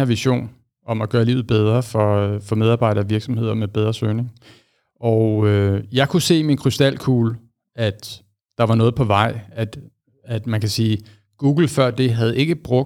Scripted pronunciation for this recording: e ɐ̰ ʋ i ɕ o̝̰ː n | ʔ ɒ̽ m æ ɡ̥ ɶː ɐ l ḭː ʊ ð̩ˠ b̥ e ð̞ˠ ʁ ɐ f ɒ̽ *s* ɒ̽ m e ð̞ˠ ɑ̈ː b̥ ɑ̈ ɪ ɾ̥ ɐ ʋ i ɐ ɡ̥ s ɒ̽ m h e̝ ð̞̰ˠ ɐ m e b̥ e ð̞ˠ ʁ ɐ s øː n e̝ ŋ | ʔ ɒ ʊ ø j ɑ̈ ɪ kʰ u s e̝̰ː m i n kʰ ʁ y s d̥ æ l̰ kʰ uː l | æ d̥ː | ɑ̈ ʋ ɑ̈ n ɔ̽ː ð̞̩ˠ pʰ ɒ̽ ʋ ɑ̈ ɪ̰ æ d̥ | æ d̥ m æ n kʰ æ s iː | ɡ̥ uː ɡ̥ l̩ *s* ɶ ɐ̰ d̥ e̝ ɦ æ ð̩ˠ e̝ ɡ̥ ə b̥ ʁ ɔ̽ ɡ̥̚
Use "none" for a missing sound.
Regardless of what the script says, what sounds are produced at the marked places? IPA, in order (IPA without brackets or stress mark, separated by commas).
f, f